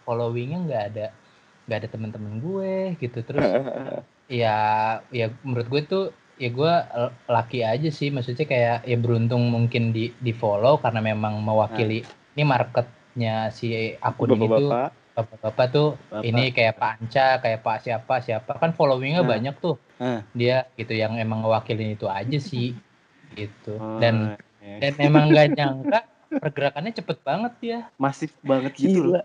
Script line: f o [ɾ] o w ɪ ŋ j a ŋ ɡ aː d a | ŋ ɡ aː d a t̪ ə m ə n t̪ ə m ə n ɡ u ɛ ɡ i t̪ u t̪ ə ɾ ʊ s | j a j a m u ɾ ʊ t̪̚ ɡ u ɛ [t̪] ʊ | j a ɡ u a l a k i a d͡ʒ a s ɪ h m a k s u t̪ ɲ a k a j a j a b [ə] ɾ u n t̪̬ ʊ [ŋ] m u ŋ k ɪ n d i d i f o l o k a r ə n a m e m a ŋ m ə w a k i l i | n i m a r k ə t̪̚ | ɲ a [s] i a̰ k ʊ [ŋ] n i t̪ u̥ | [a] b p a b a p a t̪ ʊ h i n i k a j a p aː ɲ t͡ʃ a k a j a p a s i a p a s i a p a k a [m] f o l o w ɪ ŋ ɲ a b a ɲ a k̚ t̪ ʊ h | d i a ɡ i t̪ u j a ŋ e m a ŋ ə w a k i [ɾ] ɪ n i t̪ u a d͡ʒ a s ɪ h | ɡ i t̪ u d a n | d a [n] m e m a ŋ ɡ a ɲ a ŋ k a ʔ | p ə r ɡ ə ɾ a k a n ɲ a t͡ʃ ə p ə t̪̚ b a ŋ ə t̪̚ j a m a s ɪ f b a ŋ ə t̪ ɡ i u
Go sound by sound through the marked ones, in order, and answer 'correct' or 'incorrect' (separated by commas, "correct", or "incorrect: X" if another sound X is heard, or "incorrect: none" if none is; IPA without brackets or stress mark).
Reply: incorrect: l, correct, correct, correct, correct, incorrect: n, correct, incorrect: n, incorrect: l, correct